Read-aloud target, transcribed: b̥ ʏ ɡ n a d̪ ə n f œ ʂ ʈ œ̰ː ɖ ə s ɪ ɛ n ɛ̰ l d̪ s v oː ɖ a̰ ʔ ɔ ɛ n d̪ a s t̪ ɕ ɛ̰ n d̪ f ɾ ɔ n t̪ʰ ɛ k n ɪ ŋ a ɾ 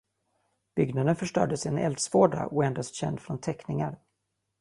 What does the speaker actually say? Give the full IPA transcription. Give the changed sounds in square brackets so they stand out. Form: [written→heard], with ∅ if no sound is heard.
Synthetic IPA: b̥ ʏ ɡ n a d̪ ə n f œ ʂ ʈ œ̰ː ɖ ə s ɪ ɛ n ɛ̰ l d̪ s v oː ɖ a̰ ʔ ɔ ɛ n d̪ a s t̪ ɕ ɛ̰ n d̪ f ɾ ɔ n t̪ʰ ɛ k n ɪ ŋ a ɾ